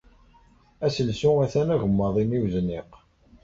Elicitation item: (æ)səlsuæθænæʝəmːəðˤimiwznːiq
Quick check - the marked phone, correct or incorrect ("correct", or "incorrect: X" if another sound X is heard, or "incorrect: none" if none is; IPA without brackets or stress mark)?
correct